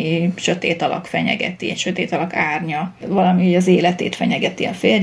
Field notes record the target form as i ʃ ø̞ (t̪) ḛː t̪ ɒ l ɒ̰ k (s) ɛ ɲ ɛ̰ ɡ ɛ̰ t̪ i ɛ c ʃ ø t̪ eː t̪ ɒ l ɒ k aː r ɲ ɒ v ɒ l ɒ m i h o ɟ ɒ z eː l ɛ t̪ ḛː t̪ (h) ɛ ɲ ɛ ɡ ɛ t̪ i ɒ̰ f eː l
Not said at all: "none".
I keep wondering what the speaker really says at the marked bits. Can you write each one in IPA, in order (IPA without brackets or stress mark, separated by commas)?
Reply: t̪, f, f